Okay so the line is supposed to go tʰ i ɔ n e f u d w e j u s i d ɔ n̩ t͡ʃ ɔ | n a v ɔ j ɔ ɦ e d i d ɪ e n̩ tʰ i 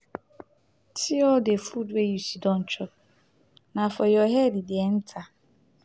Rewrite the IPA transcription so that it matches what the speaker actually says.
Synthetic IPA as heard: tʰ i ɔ d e f u d w e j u s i d ɔ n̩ t͡ʃ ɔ | n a f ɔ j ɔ ɦ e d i d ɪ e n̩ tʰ a